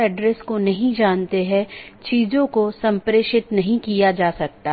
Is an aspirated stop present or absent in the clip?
absent